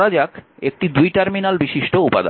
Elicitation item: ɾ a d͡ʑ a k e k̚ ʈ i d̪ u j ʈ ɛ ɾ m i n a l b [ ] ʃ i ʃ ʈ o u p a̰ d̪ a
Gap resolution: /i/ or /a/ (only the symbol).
i